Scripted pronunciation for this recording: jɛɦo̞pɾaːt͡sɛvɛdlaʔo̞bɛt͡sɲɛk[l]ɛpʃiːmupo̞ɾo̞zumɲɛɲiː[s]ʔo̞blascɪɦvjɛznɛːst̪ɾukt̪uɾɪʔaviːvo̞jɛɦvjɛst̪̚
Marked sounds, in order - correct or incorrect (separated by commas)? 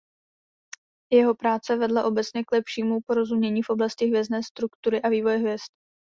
correct, incorrect